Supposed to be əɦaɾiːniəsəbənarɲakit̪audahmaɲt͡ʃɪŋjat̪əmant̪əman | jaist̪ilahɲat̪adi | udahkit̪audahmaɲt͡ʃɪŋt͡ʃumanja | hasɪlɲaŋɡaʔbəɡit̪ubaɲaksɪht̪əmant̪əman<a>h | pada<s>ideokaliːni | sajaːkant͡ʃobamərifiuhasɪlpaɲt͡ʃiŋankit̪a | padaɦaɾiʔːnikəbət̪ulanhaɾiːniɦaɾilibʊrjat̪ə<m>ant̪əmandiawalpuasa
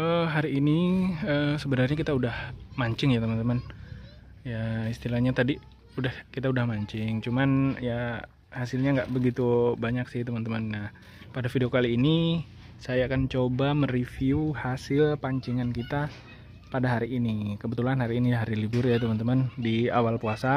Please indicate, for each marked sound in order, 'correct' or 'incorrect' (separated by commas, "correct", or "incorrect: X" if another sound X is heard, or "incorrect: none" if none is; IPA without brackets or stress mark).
correct, incorrect: f, correct